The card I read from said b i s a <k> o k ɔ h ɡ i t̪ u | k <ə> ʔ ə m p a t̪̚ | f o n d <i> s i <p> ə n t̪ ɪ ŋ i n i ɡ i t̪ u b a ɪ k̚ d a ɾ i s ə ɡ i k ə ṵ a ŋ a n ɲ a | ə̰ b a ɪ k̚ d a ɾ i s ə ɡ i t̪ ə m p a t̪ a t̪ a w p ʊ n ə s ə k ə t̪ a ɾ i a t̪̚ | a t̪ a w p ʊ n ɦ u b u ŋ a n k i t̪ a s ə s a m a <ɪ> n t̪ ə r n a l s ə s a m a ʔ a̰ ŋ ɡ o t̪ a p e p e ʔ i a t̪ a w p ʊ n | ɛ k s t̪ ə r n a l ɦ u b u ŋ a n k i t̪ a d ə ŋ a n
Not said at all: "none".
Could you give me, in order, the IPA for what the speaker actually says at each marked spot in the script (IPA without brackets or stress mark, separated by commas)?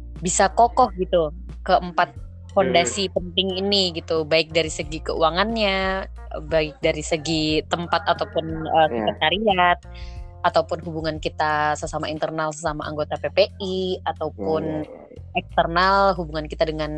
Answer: k, ə, a, p, i